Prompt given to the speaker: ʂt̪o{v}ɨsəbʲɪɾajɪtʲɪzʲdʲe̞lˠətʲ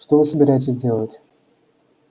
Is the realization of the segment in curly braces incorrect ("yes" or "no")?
no